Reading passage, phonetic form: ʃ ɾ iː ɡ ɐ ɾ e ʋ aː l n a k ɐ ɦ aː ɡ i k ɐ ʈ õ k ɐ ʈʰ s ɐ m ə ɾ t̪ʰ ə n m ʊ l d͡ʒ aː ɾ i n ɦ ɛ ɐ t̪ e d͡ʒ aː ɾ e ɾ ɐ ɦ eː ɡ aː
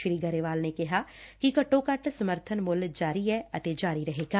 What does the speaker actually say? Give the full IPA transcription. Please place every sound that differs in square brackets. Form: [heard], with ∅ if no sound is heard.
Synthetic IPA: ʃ ɾ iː ɡ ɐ ɾ e ʋ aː l n [e] k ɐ ɦ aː [k] i k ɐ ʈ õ k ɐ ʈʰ s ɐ m ə ɾ t̪ʰ ə n m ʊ l d͡ʒ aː ɾ i [∅] ɦ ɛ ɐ t̪ e d͡ʒ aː ɾ [i] ɾ ɐ ɦ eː ɡ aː